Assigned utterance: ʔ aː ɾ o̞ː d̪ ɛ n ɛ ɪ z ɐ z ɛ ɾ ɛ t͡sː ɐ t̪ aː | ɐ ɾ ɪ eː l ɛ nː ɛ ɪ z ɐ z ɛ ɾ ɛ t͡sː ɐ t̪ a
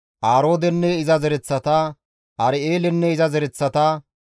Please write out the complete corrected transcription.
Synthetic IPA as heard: ʔ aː ɾ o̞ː d̪ ɛ nː ɛ ɪ z ɐ z ɛ ɾ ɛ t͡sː ɐ t̪ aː | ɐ ɾ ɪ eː l ɛ nː ɛ ɪ z ɐ z ɛ ɾ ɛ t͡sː ɐ t̪ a